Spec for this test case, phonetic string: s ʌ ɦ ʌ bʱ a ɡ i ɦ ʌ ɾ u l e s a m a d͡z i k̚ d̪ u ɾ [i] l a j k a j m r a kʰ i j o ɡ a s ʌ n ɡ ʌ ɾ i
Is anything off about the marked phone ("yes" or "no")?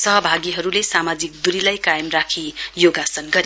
no